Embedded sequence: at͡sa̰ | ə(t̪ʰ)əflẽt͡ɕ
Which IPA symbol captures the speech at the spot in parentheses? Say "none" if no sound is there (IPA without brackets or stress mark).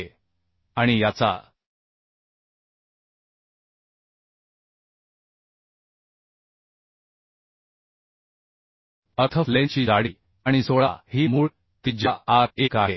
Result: t̪ʰ